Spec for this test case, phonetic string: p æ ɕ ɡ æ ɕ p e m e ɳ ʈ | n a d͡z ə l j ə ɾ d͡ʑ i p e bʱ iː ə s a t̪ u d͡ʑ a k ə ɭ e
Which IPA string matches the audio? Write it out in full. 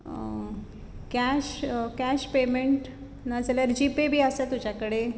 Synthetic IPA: k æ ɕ k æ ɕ p e m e ɳ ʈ | n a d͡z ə l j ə ɾ d͡ʑ i p e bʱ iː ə s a t̪ u d͡ʑ a k ə ɽ e